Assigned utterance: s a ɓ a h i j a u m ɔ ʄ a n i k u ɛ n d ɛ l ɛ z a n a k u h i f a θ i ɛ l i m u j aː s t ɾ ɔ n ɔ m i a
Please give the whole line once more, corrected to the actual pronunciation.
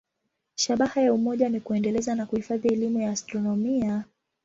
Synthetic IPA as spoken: ʃ a ɓ a h a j a u m ɔ ʄ a n i k u ɛ n d ɛ l ɛ z a n a k u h i f a ð i ɛ l i m u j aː s t ɾ ɔ n ɔ m i a